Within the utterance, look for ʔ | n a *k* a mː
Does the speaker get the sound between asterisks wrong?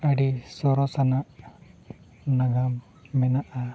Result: yes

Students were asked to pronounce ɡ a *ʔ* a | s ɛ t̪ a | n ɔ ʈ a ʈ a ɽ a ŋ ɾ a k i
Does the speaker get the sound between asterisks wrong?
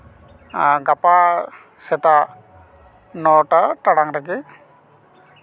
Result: yes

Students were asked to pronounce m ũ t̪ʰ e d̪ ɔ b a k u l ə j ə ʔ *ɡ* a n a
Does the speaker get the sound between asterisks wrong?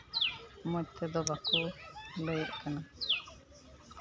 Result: yes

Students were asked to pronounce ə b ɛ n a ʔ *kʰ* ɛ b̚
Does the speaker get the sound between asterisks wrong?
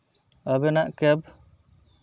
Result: yes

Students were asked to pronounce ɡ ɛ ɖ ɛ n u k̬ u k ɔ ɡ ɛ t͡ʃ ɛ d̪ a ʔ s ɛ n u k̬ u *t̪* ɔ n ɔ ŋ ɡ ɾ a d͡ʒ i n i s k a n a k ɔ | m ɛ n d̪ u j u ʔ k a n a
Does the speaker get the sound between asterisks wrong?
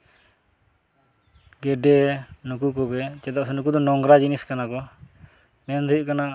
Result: yes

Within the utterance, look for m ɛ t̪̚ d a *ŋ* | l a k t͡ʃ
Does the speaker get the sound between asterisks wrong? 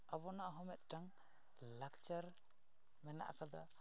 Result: no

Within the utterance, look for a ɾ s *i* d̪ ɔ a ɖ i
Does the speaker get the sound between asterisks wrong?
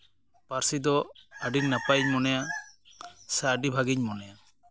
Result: no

